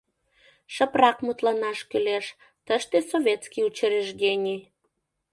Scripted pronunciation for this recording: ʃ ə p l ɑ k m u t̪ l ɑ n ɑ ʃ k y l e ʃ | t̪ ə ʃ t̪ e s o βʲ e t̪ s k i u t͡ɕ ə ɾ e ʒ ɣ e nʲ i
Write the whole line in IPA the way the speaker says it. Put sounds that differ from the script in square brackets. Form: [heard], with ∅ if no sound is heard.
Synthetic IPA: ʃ ə p [r] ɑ k m u t̪ l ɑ n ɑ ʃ k y l e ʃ | t̪ ə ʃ t̪ e s o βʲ e t̪ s k i u t͡ɕ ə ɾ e ʒ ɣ e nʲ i

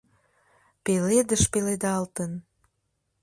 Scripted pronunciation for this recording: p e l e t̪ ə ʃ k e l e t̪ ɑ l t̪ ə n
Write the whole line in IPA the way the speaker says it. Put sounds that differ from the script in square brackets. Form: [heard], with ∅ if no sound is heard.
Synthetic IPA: p e l e [d̪] ə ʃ [p] e l e [d̪] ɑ l t̪ ə n

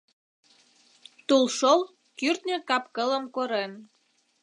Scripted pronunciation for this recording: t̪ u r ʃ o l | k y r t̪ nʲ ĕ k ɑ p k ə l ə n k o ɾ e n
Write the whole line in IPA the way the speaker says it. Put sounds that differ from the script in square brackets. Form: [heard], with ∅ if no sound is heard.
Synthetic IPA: t̪ u [l] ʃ o l | k y r t̪ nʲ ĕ k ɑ p k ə l ə [m] k o ɾ e n

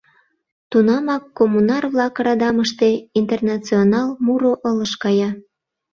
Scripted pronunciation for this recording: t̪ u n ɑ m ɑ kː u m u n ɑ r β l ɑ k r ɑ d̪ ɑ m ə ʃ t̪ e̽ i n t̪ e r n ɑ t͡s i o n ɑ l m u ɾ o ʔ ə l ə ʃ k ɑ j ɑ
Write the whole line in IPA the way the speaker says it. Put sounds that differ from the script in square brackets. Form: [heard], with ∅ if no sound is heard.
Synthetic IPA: t̪ u n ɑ m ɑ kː [o] m u n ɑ r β l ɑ k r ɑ d̪ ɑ m ə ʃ t̪ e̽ i n t̪ e r n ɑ t͡s i o n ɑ l m u ɾ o ʔ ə l ə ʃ k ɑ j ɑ

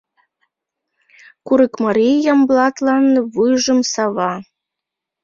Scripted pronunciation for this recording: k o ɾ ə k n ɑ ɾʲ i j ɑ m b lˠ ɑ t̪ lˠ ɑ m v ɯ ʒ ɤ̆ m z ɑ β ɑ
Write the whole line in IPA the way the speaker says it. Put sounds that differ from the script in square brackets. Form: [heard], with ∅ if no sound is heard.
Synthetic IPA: k [u] ɾ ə k [m] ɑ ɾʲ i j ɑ m b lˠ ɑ t̪ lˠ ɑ [n] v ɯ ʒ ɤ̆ m [s] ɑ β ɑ

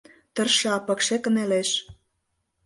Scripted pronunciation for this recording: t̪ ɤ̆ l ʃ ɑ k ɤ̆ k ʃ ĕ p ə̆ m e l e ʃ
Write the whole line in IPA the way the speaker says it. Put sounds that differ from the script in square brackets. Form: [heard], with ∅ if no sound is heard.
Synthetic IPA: t̪ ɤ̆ [r] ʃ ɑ [p] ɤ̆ k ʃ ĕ [k] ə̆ [n] e l e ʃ

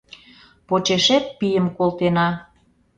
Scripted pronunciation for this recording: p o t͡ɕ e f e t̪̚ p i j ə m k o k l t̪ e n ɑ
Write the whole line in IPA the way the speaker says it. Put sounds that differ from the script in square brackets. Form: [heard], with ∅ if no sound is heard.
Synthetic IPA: p o t͡ɕ e [ʃ] e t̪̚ p i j ə m k o [∅] l t̪ e n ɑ

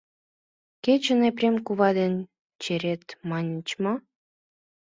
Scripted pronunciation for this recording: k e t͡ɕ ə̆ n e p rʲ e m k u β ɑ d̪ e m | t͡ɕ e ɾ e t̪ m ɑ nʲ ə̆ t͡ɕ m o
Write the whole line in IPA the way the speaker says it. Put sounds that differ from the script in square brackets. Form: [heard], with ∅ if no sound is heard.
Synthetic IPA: k e t͡ɕ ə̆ n e p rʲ e m k u β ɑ d̪ e [n] | t͡ɕ e ɾ e t̪ m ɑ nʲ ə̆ t͡ɕ m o

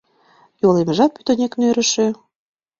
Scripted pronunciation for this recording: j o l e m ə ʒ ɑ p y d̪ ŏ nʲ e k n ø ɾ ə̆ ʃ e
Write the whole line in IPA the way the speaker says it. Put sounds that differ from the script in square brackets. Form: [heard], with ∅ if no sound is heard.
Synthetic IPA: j o l e m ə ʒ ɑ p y [t̪] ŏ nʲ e k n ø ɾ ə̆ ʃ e

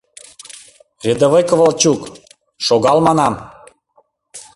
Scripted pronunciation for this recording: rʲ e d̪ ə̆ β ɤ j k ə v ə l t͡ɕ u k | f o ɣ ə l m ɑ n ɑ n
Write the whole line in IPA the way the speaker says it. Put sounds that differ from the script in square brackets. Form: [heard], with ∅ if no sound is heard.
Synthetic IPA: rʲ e d̪ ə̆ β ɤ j k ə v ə l t͡ɕ u k | [ʃ] o ɣ [ɑ] l m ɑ n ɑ [m]

